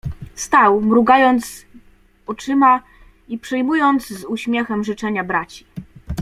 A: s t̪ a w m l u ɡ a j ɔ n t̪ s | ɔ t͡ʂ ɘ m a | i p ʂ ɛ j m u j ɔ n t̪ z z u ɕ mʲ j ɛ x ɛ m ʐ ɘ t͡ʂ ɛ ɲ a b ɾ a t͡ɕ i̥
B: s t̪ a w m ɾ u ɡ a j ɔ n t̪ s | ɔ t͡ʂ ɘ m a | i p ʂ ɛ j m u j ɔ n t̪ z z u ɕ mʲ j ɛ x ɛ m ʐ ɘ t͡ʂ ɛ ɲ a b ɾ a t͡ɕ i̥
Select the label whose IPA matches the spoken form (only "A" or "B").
B